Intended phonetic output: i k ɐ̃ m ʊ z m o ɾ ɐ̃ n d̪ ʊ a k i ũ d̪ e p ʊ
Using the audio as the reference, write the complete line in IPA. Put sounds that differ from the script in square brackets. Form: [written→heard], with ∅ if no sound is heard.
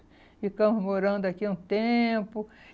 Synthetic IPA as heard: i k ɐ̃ m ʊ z m o ɾ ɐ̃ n d̪ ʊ a k i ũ [d̪→t̪] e p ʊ

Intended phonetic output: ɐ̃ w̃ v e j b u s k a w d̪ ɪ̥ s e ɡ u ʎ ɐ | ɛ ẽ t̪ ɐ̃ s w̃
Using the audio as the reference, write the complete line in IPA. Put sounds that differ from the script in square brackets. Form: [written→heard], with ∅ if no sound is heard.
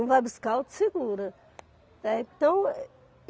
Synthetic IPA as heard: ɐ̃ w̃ v [e→a] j b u s k a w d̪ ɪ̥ s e ɡ u [ʎ→ɾ] ɐ | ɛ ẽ t̪ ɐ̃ [s→∅] w̃

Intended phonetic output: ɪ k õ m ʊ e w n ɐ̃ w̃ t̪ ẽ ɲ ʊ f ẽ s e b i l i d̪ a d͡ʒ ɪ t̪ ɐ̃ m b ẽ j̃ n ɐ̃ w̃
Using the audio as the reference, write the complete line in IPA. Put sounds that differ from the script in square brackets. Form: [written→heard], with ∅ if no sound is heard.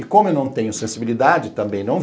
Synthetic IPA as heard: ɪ k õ m ʊ e w n ɐ̃ w̃ t̪ ẽ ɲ ʊ [f→s] ẽ s [e→i] b i l i d̪ a d͡ʒ ɪ t̪ ɐ̃ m b ẽ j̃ n ɐ̃ w̃

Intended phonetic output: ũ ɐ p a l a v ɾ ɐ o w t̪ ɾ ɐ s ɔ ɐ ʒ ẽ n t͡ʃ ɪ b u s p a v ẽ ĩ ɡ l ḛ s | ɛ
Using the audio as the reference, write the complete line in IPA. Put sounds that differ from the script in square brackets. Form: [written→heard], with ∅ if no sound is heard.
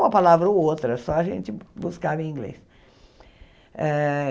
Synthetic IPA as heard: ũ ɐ p a l a v ɾ ɐ o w t̪ ɾ ɐ s ɔ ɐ ʒ ẽ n t͡ʃ ɪ b u s [p→k] a v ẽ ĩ ɡ l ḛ s | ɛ

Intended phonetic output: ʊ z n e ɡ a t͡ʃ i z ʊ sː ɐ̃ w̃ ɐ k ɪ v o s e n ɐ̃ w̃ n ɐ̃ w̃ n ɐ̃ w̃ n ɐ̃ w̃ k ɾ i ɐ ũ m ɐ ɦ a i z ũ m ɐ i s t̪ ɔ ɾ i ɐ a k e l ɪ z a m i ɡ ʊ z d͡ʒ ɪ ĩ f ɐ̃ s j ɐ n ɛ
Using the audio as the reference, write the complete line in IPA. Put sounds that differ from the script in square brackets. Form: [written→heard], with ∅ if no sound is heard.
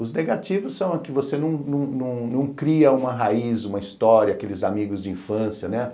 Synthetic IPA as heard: ʊ z n e ɡ a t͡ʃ i [z→v] ʊ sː ɐ̃ w̃ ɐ k ɪ v o s e n ɐ̃ w̃ n ɐ̃ w̃ n ɐ̃ w̃ n ɐ̃ w̃ k ɾ i ɐ ũ m ɐ ɦ a i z ũ m ɐ i s t̪ ɔ ɾ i ɐ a k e l ɪ z a m i ɡ ʊ z d͡ʒ ɪ ĩ f ɐ̃ s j ɐ n ɛ

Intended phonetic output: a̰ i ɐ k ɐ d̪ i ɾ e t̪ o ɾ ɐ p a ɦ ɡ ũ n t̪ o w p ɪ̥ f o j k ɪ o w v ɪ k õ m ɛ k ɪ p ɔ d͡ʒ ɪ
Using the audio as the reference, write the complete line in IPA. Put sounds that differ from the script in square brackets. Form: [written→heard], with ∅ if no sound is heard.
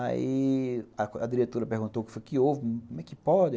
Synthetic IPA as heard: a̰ i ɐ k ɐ d̪ i ɾ e t̪ o ɾ ɐ p [a→e] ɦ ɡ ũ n t̪ o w [p→k] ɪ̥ f o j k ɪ o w v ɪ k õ m ɛ k ɪ p ɔ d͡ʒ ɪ

